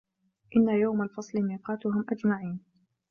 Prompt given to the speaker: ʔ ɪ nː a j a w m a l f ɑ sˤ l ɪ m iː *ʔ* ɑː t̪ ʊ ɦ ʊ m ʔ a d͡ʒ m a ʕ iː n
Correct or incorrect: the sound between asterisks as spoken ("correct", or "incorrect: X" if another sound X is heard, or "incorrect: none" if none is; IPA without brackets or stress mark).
incorrect: q